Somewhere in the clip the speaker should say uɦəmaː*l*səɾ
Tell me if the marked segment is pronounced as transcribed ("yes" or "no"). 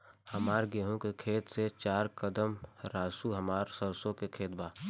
no